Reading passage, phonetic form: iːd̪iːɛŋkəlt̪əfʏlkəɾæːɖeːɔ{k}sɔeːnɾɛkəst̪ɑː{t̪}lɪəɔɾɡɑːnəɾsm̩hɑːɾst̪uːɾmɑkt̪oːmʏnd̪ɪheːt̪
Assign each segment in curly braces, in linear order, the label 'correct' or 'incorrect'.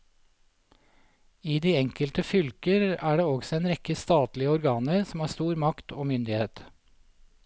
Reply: incorrect, correct

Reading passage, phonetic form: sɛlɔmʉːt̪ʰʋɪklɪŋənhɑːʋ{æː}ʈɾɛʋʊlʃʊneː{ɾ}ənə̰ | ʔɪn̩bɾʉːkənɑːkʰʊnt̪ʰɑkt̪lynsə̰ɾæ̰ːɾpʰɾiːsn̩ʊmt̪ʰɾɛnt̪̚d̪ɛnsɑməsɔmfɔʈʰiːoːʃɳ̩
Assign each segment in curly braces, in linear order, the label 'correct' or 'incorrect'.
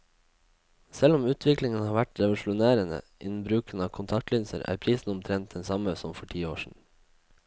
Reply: incorrect, correct

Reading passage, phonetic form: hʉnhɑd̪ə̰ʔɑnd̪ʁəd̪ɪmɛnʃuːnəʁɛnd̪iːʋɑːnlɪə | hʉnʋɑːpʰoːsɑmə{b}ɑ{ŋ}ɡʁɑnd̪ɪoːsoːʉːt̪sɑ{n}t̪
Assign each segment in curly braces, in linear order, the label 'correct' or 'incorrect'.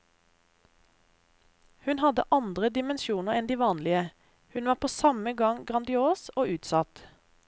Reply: incorrect, correct, incorrect

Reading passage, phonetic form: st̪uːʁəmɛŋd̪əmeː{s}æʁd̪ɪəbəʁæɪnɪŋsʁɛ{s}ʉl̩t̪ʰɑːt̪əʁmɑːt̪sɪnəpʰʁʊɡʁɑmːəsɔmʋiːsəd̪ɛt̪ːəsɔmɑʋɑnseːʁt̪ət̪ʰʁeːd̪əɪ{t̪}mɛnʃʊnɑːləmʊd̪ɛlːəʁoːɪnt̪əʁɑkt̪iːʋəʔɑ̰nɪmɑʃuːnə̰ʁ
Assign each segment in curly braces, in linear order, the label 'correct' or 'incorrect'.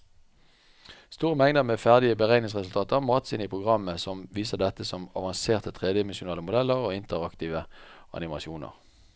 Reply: incorrect, correct, incorrect

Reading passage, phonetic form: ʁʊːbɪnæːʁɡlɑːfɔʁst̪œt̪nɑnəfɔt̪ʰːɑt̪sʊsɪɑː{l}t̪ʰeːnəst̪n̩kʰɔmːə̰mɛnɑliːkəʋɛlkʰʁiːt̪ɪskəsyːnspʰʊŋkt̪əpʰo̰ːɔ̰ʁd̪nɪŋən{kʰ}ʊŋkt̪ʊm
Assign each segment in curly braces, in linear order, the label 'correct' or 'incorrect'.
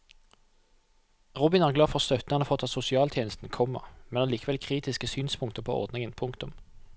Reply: correct, incorrect

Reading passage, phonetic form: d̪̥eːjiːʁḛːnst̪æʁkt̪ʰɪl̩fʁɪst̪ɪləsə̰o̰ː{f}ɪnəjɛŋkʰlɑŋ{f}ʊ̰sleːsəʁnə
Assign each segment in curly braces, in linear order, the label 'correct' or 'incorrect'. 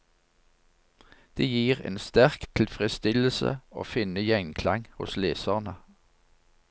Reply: correct, incorrect

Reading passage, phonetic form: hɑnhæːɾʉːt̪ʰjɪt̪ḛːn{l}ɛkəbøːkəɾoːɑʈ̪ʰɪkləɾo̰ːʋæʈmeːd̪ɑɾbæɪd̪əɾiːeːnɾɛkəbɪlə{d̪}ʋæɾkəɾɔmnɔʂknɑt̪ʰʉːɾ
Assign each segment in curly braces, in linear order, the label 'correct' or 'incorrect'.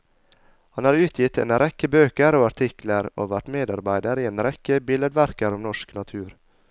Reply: incorrect, correct

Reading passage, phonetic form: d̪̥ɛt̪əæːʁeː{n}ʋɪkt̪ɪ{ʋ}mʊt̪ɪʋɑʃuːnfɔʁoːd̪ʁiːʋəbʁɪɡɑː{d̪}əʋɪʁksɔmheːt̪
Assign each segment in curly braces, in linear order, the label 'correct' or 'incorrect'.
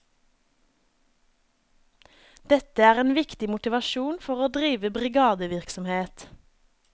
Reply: correct, incorrect, correct

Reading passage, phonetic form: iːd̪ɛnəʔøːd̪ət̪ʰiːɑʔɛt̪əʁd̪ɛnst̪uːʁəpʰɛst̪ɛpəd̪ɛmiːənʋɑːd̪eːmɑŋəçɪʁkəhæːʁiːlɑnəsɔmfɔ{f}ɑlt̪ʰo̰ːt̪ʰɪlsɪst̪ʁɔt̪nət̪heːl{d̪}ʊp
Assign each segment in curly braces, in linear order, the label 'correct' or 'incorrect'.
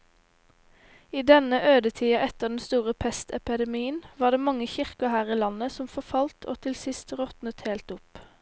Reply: correct, incorrect

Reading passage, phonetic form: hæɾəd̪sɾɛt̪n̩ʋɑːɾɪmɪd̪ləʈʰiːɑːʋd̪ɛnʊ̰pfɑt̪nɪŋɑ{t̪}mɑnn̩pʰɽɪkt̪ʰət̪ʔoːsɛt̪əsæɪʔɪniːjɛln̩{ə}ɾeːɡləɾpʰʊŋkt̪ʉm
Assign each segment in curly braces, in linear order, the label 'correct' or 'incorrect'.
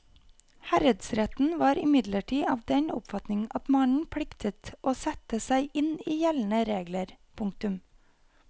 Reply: correct, correct

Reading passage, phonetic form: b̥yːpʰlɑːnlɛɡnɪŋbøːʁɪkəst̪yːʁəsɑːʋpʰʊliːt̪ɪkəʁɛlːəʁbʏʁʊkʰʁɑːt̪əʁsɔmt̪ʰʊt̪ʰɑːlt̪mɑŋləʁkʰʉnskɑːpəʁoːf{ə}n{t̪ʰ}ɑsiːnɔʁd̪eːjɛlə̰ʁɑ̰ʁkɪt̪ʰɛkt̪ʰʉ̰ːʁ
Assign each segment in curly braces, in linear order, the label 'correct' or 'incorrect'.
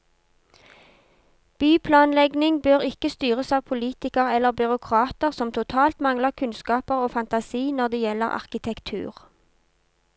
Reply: incorrect, incorrect

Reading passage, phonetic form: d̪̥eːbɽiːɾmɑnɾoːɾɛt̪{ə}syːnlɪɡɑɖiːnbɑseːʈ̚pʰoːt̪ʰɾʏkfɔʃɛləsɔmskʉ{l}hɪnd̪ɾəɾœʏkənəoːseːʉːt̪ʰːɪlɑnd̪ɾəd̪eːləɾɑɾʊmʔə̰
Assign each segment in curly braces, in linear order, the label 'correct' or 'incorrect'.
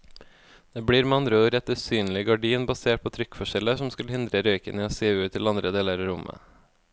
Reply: correct, correct

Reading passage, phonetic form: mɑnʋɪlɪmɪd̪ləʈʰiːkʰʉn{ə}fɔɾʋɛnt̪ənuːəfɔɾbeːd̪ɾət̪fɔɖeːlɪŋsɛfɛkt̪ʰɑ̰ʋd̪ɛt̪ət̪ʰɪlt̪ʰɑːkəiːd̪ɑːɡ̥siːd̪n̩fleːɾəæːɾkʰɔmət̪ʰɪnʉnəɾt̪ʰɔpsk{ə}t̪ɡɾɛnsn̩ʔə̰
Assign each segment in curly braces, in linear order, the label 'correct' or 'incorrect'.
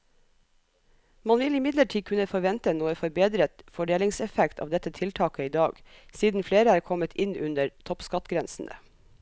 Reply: correct, incorrect

